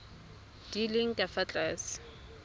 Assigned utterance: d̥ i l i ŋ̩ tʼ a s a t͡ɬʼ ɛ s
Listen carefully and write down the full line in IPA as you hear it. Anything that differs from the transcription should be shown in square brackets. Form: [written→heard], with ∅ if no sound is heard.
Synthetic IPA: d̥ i l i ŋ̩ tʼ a [s→f] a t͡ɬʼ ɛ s